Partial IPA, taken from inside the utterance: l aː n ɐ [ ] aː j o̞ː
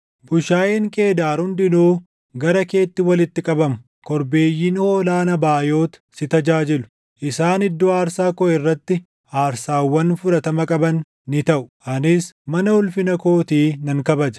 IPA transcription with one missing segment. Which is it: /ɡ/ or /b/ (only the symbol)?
b